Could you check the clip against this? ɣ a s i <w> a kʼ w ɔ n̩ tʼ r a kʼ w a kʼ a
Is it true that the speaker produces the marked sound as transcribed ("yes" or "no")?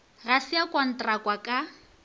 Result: no